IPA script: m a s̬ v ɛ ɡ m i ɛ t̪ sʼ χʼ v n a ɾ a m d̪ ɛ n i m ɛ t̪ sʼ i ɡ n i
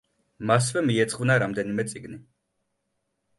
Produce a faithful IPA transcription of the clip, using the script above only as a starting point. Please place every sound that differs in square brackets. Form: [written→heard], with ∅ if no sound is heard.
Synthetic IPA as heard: m a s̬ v ɛ [ɡ→∅] m i ɛ t̪ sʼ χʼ v n a ɾ a m d̪ ɛ n i m ɛ t̪ sʼ i ɡ n i